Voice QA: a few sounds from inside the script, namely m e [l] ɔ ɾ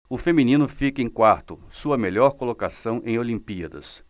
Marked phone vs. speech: incorrect: ʎ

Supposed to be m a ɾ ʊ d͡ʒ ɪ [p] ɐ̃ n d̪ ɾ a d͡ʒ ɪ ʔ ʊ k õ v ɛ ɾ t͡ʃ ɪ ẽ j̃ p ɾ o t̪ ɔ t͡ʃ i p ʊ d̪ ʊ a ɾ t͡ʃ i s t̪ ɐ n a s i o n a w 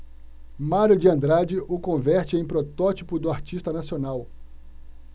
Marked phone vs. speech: incorrect: none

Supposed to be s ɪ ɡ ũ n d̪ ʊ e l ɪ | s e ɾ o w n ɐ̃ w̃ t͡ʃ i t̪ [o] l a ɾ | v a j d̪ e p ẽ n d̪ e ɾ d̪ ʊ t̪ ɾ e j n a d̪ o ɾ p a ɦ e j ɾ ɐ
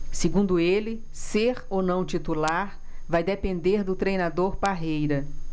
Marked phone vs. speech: incorrect: u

